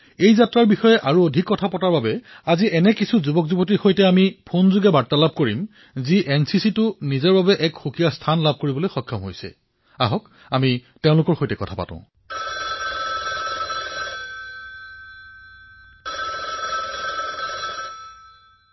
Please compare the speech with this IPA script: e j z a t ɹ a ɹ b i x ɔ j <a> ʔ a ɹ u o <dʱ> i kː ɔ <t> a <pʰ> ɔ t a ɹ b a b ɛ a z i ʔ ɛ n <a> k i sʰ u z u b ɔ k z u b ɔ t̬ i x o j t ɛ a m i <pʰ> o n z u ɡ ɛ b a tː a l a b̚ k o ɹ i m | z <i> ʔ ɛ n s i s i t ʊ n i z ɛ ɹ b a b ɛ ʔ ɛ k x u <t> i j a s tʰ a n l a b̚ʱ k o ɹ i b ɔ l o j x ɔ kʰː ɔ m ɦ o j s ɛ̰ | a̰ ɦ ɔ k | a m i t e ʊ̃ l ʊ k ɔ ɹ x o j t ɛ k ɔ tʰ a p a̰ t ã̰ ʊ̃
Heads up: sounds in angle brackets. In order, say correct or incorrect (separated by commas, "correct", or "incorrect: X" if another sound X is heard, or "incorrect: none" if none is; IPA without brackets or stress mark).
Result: incorrect: ɛ, correct, incorrect: tʰ, incorrect: p, incorrect: ɛ, correct, correct, incorrect: k